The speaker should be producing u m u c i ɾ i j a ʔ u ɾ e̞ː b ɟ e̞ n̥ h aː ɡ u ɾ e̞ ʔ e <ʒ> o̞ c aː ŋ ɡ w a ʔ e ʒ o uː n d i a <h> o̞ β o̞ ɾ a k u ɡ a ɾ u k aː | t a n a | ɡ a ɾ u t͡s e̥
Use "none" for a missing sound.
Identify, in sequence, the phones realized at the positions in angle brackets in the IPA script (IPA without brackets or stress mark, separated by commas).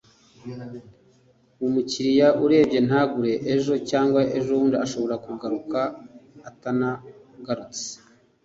ʒ, ʃ